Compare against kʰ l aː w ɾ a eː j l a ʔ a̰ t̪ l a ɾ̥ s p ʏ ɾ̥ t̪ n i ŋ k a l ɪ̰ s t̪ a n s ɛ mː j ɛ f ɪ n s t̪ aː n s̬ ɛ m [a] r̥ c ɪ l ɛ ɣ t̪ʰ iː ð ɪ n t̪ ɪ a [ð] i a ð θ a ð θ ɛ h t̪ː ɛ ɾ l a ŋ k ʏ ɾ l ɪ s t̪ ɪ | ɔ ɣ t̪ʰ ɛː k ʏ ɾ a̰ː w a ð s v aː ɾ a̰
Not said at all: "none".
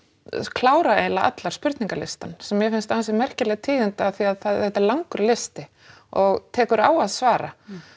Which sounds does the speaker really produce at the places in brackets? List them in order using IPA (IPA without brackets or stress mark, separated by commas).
ɛ, θ